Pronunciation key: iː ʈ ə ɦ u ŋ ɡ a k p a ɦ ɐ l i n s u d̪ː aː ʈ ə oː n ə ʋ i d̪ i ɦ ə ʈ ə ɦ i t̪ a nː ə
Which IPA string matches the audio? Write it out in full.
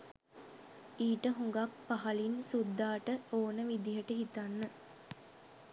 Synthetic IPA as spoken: iː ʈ ə ɦ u ŋ ɡ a k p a ɦ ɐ l i n s u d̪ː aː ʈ ə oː n ə ʋ i d̪ i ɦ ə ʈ ə ɦ i t̪ a nː ə